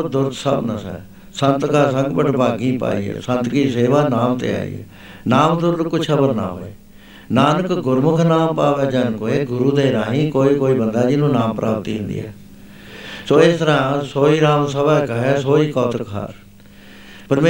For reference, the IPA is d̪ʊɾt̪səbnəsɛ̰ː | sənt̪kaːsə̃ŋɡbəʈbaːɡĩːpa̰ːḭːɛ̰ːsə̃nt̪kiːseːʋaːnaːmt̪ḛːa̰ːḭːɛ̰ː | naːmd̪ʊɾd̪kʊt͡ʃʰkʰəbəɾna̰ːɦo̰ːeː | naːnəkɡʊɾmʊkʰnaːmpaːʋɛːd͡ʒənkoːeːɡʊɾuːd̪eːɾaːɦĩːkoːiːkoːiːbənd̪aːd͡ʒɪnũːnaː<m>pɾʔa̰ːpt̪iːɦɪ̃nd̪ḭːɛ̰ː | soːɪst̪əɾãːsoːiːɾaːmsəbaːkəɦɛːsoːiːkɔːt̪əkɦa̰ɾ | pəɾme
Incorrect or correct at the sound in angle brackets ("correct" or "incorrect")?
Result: correct